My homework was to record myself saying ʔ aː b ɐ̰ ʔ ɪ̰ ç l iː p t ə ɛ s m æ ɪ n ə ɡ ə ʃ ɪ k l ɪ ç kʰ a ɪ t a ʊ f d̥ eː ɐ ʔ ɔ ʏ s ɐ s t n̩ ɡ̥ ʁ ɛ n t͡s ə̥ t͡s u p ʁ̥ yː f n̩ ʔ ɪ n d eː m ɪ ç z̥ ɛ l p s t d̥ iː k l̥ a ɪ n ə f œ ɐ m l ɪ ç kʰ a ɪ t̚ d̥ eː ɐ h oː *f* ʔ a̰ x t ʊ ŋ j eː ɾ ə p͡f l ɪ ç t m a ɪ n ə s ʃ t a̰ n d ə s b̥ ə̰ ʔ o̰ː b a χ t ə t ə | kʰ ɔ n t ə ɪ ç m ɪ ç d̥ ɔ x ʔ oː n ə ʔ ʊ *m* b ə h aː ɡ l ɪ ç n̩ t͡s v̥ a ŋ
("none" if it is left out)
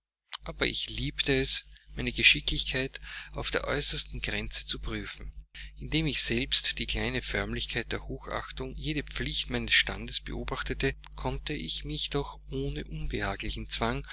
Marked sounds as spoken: x, n

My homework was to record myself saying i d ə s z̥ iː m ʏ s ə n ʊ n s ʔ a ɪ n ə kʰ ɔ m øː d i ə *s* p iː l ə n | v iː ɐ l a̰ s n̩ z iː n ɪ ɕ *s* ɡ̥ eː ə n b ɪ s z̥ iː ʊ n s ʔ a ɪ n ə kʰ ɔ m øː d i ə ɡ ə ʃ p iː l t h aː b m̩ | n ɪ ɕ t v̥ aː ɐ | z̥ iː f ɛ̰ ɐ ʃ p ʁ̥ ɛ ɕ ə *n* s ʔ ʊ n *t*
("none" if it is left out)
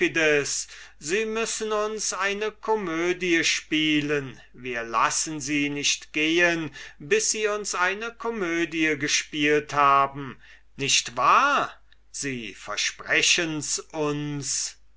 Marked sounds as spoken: ʃ, t, n, s

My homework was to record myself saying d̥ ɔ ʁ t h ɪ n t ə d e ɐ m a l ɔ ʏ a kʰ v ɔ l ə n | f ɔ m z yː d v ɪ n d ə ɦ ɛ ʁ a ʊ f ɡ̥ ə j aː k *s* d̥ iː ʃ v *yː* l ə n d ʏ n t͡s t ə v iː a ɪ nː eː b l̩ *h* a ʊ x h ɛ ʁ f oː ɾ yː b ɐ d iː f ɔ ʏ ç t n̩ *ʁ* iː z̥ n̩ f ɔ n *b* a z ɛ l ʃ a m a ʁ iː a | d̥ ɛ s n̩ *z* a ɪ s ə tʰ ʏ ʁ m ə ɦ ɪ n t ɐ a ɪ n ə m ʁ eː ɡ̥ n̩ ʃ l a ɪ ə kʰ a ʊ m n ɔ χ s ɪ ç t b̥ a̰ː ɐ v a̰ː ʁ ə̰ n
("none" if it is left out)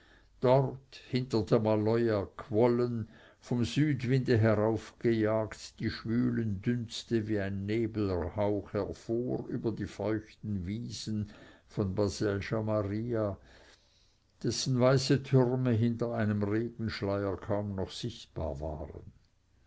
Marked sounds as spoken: t, yː, h, v, b, v

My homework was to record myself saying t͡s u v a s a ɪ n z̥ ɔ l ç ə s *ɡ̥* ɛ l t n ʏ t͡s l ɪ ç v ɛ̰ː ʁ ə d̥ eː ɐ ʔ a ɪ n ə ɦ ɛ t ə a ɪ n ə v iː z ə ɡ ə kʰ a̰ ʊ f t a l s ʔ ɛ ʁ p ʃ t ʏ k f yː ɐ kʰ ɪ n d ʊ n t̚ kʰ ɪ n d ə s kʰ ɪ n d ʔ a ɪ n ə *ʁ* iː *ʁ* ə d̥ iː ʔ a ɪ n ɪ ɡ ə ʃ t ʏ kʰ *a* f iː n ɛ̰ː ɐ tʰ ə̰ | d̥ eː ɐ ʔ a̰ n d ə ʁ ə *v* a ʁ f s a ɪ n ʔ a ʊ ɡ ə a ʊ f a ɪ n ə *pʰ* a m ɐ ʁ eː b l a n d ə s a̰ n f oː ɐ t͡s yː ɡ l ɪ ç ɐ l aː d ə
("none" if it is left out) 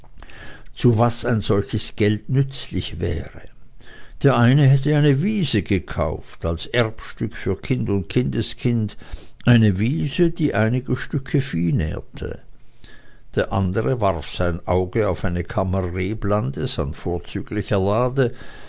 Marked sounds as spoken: ɡ̥, v, z, ə, v, kʰ

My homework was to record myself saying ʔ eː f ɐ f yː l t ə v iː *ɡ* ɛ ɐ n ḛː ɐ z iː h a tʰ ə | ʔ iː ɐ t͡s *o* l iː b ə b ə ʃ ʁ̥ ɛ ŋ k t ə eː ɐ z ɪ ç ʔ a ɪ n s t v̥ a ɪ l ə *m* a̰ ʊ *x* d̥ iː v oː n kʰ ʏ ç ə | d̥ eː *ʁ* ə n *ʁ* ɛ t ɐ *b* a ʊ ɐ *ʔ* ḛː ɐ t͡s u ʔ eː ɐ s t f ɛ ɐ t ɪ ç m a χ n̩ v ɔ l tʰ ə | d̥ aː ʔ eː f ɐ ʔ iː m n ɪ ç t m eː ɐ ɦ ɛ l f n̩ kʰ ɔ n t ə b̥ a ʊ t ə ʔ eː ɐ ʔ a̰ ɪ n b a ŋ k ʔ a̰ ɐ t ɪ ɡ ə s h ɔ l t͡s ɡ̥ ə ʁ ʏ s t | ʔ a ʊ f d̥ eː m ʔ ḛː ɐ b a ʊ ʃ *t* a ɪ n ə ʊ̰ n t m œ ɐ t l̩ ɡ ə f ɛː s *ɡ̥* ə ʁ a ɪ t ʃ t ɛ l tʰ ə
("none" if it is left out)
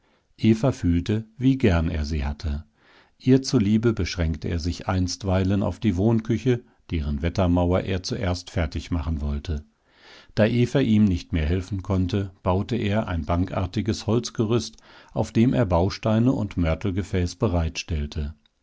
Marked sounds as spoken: ɡ, u, n, f, ʁ, v, m, ʔ, t, b̥

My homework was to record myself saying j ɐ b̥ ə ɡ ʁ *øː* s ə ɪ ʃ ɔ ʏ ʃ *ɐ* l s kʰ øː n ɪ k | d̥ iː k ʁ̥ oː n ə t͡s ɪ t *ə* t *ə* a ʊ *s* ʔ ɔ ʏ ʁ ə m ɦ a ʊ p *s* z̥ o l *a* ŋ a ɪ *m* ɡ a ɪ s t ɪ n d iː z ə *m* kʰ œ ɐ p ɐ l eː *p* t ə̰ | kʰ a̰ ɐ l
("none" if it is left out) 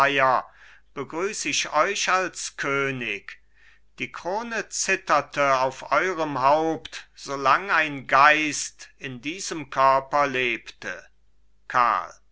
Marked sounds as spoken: yː, a, ɐ, ə, f, t, a, n, m, p

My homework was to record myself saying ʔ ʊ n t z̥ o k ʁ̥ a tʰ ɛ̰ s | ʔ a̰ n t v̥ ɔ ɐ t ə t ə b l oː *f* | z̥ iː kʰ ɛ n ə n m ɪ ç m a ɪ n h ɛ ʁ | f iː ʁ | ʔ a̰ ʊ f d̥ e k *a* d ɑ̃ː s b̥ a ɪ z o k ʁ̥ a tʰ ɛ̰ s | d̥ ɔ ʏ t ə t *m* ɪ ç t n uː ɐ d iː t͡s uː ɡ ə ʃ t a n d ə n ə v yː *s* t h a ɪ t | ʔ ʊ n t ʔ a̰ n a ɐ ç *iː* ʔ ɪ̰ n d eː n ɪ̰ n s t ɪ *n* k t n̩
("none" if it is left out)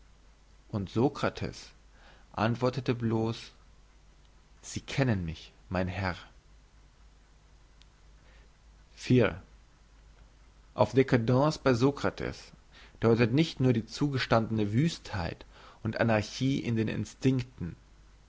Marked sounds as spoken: s, a, n, s, iː, ŋ

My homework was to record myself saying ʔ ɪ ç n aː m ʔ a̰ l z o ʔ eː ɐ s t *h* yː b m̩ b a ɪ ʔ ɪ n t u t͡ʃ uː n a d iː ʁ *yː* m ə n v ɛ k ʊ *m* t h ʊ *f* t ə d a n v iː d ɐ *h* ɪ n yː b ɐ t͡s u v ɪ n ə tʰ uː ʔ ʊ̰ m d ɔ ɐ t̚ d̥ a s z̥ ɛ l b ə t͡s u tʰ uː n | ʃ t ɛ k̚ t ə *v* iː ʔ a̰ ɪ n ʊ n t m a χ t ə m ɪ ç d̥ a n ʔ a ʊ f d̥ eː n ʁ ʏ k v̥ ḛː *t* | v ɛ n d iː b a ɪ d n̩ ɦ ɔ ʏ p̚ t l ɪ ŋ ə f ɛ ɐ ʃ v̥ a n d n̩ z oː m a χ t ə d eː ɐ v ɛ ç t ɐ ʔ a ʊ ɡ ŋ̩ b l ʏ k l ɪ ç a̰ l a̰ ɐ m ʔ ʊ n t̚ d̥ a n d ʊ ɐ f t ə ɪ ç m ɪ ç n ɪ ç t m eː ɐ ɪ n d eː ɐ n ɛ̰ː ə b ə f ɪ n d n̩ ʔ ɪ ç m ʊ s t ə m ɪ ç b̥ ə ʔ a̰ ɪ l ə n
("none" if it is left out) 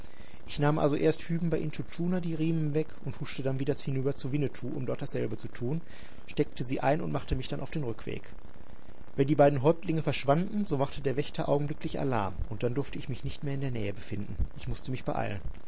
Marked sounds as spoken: h, iː, n, ʃ, h, z, k

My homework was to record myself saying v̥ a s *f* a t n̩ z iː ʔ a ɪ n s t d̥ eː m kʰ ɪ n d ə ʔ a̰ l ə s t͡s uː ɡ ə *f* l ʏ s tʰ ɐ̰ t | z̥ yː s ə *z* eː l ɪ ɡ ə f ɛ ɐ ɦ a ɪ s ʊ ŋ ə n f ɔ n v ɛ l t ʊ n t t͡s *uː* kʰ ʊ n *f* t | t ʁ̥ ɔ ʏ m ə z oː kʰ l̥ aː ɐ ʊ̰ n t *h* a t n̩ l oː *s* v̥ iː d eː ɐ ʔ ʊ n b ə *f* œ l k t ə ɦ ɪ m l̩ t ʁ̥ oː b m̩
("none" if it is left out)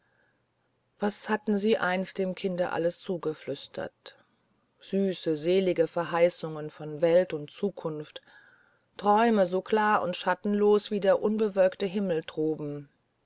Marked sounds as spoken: h, f, z, uː, f, ʃ, s, v

